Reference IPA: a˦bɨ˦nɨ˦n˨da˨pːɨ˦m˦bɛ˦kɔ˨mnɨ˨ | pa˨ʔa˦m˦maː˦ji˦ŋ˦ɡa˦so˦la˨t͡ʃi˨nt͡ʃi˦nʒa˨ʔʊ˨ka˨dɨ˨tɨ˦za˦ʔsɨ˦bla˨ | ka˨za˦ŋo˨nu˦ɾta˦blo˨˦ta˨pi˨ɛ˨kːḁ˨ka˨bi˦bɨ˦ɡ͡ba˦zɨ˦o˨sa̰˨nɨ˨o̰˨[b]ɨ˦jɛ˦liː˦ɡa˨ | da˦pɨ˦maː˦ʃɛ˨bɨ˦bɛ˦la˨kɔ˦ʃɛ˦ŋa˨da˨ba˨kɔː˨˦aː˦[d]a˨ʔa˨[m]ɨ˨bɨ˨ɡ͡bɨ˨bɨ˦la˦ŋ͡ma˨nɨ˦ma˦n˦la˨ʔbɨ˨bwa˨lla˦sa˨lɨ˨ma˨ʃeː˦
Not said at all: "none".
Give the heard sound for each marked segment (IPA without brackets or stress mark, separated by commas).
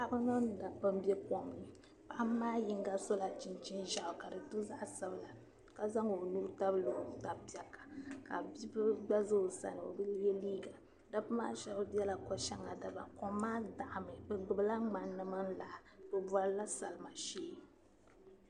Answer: b, d, m